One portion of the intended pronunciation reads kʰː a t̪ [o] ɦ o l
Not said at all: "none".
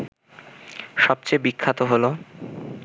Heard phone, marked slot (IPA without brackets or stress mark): o